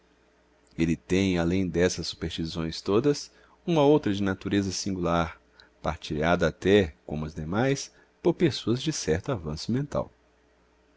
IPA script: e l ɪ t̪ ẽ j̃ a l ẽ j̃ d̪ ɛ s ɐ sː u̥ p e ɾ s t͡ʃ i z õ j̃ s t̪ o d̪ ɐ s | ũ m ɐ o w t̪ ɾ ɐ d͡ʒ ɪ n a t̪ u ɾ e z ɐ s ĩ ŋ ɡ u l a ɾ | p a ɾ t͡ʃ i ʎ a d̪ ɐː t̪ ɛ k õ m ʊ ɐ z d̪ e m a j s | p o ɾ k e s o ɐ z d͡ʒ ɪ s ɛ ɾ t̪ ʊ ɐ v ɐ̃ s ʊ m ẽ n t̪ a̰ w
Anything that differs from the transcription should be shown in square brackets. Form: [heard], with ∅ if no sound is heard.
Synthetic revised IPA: e l ɪ t̪ ẽ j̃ a l ẽ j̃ d̪ ɛ s ɐ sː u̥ p e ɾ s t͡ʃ i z õ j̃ s t̪ o d̪ ɐ s | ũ m ɐ o w t̪ ɾ ɐ d͡ʒ ɪ n a t̪ u ɾ e z ɐ s ĩ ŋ ɡ u l a ɾ | p a ɾ t͡ʃ i ʎ a d̪ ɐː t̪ ɛ k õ m ʊ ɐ z d̪ e m a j s | p o ɾ [p] e s o ɐ z d͡ʒ ɪ s ɛ ɾ t̪ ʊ [a] v ɐ̃ s ʊ m ẽ n t̪ a̰ w